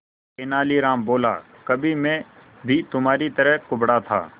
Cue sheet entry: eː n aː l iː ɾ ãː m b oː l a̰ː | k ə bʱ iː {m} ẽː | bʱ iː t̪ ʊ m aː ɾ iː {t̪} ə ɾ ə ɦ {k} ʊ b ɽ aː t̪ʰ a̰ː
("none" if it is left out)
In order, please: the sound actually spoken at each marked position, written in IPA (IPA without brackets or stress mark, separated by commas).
m, t̪, k